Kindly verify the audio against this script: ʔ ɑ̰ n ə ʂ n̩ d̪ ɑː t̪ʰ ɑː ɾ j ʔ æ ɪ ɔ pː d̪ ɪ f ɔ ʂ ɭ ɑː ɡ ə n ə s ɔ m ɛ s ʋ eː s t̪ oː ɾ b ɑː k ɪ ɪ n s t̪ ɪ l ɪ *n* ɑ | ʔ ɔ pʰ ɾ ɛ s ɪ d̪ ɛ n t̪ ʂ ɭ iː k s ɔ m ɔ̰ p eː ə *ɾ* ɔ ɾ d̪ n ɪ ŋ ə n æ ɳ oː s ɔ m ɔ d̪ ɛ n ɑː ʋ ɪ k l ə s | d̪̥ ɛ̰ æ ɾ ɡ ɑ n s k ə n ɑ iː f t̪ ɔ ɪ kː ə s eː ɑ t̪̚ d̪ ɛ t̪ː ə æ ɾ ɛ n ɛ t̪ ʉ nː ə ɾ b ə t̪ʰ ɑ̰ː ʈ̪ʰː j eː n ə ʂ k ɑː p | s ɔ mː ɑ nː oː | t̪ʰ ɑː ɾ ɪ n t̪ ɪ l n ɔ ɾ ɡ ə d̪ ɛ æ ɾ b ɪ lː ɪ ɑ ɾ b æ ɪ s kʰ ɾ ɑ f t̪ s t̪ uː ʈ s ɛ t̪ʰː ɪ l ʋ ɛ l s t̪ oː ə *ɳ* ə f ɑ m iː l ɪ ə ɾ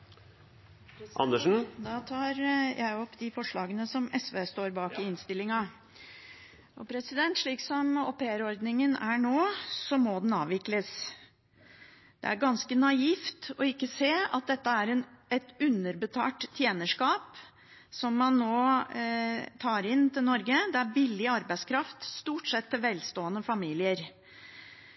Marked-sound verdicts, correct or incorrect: incorrect, correct, incorrect

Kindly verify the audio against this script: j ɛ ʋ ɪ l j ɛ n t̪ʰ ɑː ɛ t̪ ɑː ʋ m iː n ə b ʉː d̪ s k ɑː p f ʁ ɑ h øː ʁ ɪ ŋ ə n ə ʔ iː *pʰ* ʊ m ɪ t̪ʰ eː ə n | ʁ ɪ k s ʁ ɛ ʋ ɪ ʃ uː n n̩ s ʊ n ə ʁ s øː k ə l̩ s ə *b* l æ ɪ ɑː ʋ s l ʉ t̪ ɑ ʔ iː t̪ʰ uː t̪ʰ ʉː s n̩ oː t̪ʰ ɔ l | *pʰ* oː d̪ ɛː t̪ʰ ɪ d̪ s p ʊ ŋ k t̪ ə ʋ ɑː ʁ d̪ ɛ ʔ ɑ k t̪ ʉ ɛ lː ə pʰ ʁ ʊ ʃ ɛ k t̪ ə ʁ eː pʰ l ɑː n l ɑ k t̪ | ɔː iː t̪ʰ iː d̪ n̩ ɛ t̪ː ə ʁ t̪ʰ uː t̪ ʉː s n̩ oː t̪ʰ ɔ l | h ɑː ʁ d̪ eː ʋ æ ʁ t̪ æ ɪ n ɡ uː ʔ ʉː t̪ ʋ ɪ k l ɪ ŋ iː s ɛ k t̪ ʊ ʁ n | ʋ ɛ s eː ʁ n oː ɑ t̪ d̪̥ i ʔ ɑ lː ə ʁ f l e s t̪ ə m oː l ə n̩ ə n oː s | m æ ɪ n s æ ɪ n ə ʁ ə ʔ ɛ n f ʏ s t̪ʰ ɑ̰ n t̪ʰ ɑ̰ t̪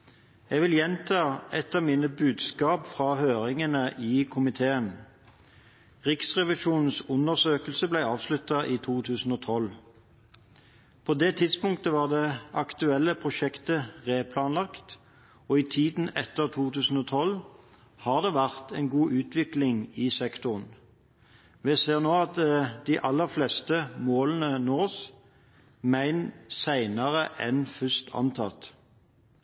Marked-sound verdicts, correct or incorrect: incorrect, correct, correct

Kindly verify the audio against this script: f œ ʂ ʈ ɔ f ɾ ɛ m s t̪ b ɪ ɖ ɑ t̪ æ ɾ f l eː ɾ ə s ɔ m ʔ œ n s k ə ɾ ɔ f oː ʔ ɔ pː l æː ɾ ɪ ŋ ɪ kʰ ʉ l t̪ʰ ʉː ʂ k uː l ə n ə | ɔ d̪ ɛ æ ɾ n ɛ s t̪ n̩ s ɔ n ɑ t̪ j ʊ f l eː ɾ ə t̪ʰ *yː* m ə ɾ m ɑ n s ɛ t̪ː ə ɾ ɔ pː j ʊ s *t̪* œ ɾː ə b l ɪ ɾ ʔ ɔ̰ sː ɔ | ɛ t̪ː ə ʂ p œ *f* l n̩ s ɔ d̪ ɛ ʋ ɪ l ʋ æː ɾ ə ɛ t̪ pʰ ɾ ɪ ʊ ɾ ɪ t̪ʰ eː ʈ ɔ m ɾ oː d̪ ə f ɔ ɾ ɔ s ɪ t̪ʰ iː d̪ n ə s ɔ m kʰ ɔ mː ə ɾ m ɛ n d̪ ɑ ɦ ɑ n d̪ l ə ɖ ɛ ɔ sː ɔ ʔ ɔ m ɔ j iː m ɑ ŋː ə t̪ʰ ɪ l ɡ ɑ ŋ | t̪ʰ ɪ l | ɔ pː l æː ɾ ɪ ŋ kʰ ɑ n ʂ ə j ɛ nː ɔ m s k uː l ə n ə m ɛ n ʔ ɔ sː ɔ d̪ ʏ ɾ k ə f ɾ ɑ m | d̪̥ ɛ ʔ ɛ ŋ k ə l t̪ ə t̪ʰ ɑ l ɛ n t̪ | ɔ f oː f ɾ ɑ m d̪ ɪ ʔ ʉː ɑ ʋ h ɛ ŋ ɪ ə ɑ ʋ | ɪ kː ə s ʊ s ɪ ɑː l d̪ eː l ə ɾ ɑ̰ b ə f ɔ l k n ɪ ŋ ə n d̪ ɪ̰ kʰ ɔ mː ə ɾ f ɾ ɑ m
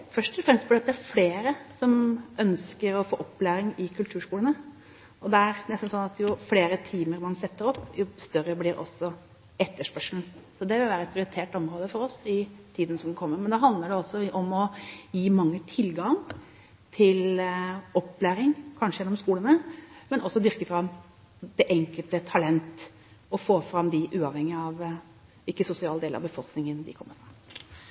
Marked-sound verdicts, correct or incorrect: incorrect, correct, incorrect

